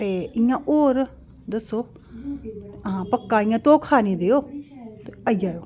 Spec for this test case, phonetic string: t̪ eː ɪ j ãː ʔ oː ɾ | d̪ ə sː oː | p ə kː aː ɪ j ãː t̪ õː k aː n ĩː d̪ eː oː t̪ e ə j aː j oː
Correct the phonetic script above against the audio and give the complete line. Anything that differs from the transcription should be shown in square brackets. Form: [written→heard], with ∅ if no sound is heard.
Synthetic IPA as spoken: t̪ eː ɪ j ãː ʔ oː ɾ | d̪ ə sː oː | p ə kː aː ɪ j ãː t̪ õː [k→kʰ] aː n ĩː d̪ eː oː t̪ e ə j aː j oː